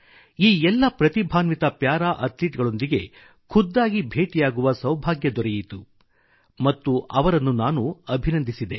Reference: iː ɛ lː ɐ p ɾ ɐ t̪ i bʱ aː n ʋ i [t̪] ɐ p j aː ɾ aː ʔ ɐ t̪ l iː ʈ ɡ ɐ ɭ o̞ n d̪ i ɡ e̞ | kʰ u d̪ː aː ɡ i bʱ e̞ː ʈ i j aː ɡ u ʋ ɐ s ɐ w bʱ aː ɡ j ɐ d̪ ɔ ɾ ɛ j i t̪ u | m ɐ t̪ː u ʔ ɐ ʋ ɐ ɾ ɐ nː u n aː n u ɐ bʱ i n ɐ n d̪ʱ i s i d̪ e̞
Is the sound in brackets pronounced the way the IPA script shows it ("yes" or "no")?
yes